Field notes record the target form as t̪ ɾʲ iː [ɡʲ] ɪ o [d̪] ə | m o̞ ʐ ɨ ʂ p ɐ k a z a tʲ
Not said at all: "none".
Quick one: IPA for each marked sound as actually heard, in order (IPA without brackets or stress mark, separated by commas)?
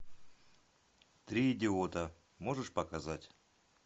dʲ, t̪